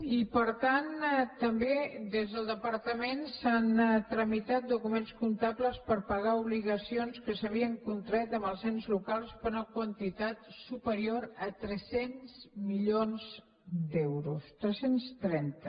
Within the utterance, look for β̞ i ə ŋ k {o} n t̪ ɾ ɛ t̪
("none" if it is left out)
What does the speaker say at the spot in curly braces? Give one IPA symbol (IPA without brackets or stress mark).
u